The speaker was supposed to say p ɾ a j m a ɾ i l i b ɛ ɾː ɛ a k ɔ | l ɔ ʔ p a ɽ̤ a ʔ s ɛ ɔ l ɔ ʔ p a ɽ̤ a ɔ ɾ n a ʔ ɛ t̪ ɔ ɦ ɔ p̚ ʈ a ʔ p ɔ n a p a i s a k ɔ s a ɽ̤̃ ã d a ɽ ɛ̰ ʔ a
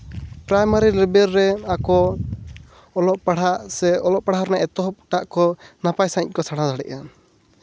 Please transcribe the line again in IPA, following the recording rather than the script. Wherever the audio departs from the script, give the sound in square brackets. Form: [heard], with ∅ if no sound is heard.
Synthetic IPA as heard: p ɾ a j m a ɾ i l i b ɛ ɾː ɛ a k ɔ | l ɔ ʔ p a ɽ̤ a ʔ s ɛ ɔ l ɔ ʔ p a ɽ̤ a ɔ ɾ n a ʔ ɛ t̪ ɔ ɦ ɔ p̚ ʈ a ʔ [k] ɔ n a p a [j] s a k ɔ s a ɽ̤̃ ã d a ɽ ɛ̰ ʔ a